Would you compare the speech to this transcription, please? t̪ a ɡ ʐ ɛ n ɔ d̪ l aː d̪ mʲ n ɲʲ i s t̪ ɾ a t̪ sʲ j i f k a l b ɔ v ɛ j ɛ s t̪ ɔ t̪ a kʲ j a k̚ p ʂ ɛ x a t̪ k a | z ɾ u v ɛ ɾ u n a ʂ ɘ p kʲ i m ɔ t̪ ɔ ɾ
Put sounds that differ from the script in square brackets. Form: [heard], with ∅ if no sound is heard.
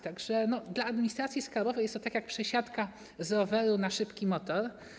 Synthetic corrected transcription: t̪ a ɡ ʐ ɛ n ɔ d̪ l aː d̪ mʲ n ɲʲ i s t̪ ɾ a t̪ sʲ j i [s] k a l b ɔ v ɛ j ɛ s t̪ ɔ t̪ a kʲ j a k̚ p ʂ ɛ [ɕ] a t̪ k a | z ɾ [ɔ] v ɛ ɾ u n a ʂ ɘ p kʲ i m ɔ t̪ ɔ ɾ